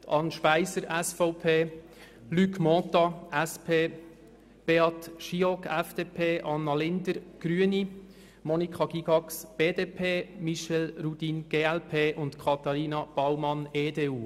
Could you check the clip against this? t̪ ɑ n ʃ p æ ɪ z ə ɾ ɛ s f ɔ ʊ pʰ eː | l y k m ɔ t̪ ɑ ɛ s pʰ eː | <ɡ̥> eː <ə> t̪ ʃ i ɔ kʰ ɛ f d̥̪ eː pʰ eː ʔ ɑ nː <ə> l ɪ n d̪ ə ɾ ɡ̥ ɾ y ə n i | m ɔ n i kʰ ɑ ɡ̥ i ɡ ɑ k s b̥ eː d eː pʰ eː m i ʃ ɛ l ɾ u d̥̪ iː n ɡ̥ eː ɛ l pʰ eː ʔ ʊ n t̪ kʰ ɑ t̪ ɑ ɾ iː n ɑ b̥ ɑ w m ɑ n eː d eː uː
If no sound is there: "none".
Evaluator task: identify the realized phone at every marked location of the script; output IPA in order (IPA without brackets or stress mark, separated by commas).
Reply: b̥, ɑ, ɑ